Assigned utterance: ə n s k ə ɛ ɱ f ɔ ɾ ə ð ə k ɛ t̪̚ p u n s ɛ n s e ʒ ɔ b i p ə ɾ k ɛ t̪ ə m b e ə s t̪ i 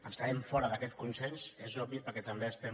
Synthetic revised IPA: ə n s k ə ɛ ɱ f ɔ ɾ ə ð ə k ɛ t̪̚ k u n s ɛ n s e z ɔ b i p ə ɾ k ɛ t̪ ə m b e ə s t̪ ɛ